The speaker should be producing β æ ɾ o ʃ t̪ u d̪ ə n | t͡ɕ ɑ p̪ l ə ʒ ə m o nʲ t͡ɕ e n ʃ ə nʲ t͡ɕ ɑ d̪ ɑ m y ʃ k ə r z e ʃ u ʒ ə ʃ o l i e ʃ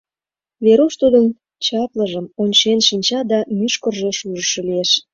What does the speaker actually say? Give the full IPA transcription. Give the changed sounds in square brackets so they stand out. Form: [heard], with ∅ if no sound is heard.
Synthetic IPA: β [e] ɾ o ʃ t̪ u d̪ ə n | t͡ɕ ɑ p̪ l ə ʒ ə m o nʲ t͡ɕ e n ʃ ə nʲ t͡ɕ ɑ d̪ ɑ m y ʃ k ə r [ʒ] e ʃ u ʒ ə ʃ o l i e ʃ